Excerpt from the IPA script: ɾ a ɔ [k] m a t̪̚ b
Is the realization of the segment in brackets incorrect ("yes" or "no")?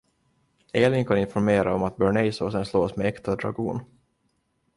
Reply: yes